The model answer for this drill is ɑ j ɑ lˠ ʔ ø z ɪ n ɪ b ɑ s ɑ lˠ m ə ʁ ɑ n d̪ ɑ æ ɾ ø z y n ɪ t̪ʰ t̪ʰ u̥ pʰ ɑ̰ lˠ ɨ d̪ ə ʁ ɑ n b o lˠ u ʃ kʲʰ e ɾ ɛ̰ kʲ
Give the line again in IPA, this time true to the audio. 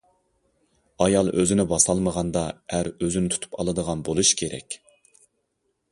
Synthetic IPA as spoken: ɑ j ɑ lˠ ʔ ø z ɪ n ɪ b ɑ s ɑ lˠ m ə ʁ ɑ n d̪ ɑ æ ɾ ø z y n ɪ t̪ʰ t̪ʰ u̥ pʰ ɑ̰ lˠ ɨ d̪ ə ʁ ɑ n b o lˠ u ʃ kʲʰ e ɾ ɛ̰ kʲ